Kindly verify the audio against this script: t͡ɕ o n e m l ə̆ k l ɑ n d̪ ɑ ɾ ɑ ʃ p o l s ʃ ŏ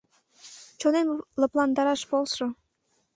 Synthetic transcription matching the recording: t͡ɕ o n e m l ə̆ p l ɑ n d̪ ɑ ɾ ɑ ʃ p o l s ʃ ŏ